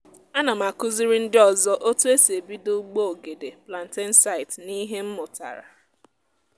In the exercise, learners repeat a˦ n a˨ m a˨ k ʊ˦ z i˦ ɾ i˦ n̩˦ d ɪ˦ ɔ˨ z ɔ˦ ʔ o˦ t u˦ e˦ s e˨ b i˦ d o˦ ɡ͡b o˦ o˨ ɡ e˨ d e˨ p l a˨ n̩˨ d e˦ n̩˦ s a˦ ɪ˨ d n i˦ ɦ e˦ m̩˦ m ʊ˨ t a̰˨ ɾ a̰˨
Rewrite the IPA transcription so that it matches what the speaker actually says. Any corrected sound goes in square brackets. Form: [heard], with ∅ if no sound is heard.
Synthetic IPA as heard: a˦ n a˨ m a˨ k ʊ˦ z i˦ ɾ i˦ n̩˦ d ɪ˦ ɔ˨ z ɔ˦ ʔ o˦ t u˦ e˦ s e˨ b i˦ d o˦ ɡ͡b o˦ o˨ ɡ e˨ d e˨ p l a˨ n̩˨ [t] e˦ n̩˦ s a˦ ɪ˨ [t] n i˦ ɦ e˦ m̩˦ m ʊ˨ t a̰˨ ɾ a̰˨